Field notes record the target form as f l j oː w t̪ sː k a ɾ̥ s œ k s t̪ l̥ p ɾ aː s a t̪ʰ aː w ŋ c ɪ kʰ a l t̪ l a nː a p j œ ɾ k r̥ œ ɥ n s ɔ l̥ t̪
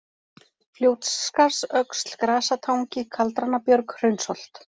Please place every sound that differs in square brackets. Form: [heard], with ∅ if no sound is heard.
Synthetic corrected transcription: f l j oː w t̪ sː k a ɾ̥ s œ k s t̪ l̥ [k] ɾ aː s a t̪ʰ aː w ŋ c ɪ kʰ a l t̪ [ɾ] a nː a p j œ ɾ k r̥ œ ɥ n s ɔ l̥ t̪